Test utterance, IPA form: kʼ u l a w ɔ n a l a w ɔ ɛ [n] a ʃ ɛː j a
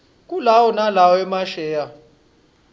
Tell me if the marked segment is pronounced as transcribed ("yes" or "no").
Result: no